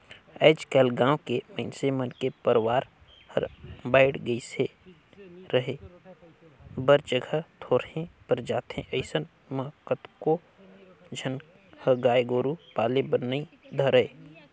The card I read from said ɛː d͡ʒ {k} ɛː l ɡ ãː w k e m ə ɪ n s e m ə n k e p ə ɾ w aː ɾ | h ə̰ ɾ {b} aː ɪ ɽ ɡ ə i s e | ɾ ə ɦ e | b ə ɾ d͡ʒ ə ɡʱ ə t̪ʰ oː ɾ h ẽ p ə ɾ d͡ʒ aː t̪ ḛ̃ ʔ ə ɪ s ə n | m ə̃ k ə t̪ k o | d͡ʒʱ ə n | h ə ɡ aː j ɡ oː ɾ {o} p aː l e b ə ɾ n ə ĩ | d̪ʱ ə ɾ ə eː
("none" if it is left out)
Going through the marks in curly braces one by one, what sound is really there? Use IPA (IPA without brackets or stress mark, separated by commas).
k, b, u